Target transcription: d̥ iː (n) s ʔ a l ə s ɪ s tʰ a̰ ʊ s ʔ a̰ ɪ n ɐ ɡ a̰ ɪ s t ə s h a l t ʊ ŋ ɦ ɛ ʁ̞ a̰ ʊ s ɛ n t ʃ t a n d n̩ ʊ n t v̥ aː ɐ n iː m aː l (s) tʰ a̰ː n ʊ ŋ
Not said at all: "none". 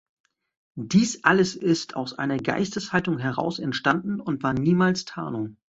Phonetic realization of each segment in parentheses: none, s

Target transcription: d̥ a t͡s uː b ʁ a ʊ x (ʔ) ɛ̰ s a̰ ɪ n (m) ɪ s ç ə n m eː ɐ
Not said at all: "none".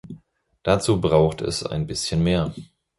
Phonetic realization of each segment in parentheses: t, b

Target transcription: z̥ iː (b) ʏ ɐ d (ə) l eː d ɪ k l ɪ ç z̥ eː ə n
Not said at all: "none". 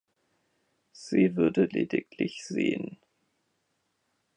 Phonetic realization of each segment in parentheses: v, ə

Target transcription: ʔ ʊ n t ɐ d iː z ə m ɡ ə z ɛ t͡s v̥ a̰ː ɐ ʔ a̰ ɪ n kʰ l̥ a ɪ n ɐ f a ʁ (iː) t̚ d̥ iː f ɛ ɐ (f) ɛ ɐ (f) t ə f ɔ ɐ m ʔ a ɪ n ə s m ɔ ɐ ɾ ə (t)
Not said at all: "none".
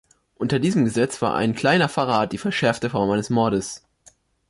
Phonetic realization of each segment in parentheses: aː, ʃ, f, s

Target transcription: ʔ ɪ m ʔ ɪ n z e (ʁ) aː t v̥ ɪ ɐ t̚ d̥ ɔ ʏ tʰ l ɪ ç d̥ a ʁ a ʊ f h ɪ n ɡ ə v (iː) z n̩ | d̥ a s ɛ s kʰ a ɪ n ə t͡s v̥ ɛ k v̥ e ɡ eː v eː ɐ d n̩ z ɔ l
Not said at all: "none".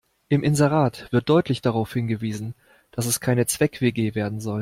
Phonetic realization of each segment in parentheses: ʁ, iː

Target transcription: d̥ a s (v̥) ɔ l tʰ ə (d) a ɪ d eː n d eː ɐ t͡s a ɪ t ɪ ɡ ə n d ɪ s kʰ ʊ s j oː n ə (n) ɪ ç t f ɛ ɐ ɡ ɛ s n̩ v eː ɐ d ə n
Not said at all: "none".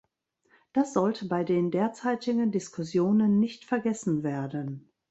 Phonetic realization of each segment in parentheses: z̥, b, nː

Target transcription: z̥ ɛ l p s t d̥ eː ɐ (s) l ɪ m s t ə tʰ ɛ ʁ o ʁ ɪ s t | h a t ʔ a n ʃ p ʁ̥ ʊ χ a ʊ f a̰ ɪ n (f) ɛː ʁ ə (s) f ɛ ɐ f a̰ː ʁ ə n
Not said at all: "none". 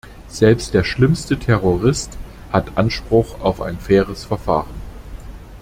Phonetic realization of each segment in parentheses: ʃ, f, s

